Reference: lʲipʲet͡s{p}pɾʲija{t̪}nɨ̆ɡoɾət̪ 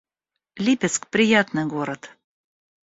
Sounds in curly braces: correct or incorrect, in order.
incorrect, correct

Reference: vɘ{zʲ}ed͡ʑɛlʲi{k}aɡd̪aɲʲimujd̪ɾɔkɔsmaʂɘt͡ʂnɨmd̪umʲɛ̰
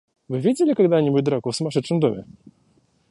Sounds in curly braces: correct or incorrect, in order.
incorrect, correct

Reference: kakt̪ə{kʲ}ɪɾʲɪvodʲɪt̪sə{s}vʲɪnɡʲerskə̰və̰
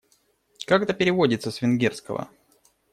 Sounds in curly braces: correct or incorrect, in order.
incorrect, correct

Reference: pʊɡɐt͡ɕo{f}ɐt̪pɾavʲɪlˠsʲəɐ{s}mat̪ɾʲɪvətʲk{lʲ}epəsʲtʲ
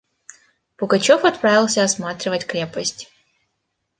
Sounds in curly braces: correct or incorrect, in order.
correct, correct, incorrect

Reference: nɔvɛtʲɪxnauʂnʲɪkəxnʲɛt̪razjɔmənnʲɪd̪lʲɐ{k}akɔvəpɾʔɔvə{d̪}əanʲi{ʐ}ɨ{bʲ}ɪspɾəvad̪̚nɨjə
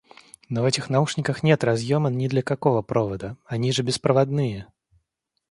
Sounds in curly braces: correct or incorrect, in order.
correct, correct, correct, correct

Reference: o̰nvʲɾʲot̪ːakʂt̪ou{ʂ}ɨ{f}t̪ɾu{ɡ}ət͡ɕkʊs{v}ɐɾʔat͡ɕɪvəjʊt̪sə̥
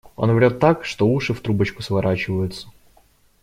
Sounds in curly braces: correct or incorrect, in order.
correct, correct, incorrect, correct

